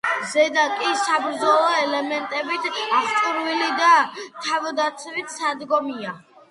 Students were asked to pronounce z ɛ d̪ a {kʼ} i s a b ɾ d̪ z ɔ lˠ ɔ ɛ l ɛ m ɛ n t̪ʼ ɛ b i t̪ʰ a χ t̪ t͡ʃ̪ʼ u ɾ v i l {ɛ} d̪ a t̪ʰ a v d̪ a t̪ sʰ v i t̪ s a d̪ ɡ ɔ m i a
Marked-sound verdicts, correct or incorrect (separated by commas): correct, incorrect